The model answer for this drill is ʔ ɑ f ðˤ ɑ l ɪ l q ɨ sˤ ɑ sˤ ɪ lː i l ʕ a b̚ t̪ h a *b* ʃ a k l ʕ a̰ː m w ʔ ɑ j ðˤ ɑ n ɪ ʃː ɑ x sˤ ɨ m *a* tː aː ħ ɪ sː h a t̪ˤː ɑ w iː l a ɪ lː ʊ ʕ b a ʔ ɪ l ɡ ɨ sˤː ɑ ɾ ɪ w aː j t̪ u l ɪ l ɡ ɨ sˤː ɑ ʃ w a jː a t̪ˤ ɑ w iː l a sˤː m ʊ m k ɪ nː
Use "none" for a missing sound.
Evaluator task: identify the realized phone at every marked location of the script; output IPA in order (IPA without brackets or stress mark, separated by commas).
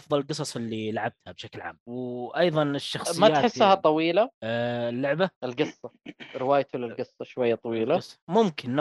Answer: b, a